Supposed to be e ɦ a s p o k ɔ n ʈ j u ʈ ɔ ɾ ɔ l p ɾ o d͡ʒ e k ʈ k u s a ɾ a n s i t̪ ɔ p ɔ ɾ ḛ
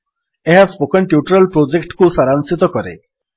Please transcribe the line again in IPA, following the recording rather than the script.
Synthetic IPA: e ɦ a s p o k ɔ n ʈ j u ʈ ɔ ɾ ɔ l p ɾ o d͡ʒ e k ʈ k u s a ɾ a n s i t̪ ɔ k ɔ ɾ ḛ